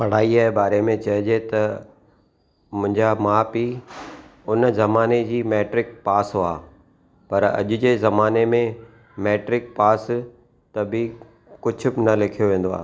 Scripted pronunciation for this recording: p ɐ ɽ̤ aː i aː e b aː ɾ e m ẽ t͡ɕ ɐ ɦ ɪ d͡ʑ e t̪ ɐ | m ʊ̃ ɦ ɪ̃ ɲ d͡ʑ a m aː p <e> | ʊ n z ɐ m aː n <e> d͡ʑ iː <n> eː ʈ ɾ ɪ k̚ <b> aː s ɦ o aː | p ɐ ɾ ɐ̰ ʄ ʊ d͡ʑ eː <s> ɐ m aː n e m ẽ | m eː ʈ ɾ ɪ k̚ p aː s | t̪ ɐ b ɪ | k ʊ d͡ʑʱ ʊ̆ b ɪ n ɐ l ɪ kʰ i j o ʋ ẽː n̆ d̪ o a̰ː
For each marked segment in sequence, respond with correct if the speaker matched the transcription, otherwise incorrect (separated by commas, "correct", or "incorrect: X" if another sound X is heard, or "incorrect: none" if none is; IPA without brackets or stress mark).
incorrect: i, correct, incorrect: m, incorrect: p, incorrect: z